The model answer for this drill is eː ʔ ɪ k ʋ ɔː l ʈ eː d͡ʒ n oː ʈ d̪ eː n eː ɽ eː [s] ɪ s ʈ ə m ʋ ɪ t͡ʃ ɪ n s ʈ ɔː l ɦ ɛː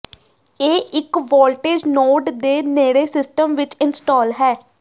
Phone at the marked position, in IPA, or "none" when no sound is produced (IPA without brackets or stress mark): s